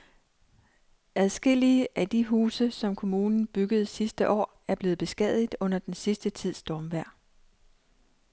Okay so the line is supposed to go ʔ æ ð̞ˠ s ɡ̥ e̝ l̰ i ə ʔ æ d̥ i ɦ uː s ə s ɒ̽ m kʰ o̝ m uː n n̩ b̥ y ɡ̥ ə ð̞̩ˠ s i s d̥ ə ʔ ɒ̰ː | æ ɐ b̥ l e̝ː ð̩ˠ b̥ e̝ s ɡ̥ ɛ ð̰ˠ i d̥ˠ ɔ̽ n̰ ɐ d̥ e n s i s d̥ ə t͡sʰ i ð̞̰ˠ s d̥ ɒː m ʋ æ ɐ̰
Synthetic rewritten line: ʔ æ ð̞ˠ s ɡ̥ e̝ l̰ i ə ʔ æ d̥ i ɦ uː s ə s ɒ̽ m kʰ o̝ m uː n n̩ b̥ y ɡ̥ ə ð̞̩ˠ s i s d̥ ə ʔ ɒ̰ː | æ ɐ b̥ l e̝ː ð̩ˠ b̥ e̝ s ɡ̥ ɛ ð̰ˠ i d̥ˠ ɔ̽ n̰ ɐ d̥ e n s i s d̥ ə t͡sʰ i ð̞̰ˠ s d̥ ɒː m ʋ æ ɐ̰